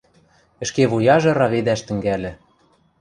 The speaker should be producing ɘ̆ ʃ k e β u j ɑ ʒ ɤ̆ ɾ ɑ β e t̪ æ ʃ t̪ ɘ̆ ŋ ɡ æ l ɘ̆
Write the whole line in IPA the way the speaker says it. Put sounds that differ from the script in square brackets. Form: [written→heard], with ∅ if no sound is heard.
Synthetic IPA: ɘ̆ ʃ k e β u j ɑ ʒ ɤ̆ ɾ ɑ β e [t̪→d̪] æ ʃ t̪ ɘ̆ ŋ ɡ æ l ɘ̆